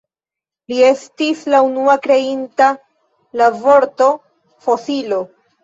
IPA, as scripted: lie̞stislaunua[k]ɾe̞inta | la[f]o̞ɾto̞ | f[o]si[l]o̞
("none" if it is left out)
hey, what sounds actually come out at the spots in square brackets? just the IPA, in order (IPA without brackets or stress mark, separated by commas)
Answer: k, v, o, l